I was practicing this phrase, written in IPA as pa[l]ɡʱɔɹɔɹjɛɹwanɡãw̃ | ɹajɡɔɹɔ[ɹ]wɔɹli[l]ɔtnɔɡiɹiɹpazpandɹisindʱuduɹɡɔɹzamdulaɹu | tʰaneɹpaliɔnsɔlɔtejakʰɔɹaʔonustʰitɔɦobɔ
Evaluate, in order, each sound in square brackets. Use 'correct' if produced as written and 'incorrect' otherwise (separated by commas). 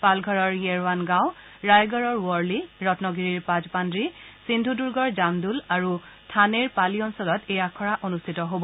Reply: correct, correct, incorrect